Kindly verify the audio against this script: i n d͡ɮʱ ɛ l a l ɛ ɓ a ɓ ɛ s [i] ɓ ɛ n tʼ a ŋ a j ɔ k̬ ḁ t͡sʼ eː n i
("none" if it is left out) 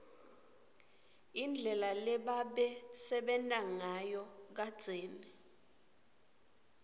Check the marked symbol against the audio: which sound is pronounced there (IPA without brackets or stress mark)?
ɛ